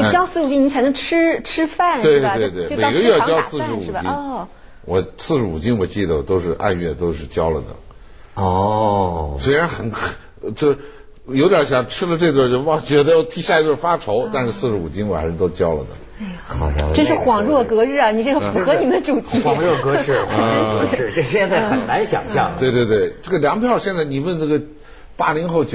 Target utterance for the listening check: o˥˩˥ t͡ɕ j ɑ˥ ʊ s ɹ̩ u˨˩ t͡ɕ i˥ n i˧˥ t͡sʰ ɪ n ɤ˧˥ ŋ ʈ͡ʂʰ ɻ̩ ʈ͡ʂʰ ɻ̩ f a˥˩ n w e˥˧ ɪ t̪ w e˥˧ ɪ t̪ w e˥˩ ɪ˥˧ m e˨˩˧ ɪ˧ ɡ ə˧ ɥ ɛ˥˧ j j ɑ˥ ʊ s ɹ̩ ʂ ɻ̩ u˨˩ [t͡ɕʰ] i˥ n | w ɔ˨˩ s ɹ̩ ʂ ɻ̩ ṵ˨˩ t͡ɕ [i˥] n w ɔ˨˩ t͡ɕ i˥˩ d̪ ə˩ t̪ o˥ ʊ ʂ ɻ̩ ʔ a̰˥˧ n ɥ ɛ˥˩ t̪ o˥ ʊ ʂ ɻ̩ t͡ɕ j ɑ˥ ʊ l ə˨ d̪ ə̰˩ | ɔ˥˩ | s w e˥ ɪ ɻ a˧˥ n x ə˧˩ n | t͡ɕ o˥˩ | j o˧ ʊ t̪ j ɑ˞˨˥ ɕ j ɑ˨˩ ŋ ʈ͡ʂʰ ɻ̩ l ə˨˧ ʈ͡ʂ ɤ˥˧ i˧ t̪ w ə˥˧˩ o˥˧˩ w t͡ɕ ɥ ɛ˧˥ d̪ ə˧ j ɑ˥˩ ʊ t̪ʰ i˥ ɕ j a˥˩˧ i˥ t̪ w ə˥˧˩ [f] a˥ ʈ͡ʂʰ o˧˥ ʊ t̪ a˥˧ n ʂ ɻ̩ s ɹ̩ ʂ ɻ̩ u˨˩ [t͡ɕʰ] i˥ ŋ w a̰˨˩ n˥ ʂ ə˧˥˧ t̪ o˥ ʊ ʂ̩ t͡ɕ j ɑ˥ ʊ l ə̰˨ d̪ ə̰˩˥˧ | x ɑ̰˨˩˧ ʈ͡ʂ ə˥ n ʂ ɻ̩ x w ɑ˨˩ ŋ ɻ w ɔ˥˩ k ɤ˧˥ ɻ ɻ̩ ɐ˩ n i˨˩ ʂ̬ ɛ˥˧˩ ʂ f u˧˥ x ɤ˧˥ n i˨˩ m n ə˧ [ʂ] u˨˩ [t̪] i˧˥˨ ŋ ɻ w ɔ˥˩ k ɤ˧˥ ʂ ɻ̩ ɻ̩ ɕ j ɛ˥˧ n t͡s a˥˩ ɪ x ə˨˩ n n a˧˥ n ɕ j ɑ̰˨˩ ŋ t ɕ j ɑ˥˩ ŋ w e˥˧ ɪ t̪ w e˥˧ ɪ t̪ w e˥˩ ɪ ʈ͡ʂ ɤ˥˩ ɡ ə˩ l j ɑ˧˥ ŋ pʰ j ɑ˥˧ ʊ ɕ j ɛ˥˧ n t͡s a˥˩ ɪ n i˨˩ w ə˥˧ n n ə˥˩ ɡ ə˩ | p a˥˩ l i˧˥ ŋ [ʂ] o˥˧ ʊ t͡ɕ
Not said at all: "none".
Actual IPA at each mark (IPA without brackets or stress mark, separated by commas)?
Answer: t͡ɕ, i˥, f, t͡ɕ, ʈ͡ʂ, t̪ʰ, x